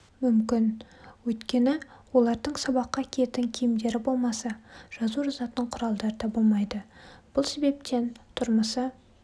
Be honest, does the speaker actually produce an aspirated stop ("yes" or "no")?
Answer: yes